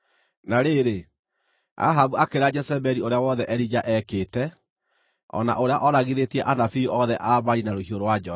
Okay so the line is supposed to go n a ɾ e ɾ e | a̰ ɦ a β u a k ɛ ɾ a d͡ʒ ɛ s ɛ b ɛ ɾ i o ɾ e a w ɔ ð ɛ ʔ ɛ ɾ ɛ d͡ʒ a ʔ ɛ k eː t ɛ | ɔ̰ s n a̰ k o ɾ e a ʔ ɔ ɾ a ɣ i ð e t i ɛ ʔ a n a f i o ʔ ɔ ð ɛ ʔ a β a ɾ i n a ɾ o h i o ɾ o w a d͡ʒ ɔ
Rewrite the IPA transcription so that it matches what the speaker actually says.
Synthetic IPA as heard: n a ɾ e ɾ e | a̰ ɦ a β u a k e ɾ a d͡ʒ ɛ s ɛ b ɛ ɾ i o ɾ e a w ɔ ð ɛ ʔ ɛ ɾ i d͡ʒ a ʔ ɛ k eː t ɛ | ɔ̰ n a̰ ʔ o ɾ e a ʔ ɔ ɾ a ɣ i ð e t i ɛ ʔ a n a f i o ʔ ɔ ð ɛ ʔ a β a ɾ i n a ɾ o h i o ɾ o w a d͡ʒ ɔ